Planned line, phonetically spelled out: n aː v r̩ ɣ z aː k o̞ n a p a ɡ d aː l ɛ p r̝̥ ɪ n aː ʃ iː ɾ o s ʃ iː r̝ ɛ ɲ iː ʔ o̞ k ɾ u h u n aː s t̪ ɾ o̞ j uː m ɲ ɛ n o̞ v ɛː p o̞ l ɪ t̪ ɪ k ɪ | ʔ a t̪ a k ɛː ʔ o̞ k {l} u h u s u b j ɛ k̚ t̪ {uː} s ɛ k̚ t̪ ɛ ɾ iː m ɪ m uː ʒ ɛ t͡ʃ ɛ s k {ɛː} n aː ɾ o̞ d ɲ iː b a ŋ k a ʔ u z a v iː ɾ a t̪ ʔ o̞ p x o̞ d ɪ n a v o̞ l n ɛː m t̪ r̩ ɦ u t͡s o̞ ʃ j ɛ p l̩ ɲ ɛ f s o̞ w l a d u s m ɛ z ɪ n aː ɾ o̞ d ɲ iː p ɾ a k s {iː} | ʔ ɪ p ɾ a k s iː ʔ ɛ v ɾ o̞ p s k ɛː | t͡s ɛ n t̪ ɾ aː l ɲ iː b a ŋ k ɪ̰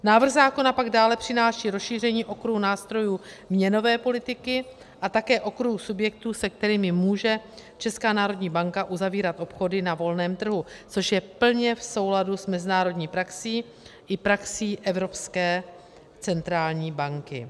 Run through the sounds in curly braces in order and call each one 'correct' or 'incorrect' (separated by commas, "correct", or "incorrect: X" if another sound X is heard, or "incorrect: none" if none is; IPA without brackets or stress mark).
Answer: incorrect: ɾ, correct, incorrect: aː, correct